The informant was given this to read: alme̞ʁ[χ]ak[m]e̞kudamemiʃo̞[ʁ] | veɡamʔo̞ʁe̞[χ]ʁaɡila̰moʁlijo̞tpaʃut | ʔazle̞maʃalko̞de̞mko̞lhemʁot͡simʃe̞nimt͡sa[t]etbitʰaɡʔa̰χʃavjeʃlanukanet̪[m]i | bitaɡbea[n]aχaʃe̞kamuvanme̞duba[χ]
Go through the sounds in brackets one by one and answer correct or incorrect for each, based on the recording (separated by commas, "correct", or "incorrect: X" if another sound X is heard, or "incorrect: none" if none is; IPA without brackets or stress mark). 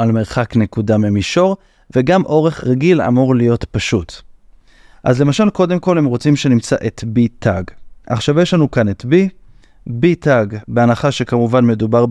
correct, incorrect: n, correct, correct, incorrect: ʔ, incorrect: b, correct, incorrect: ʁ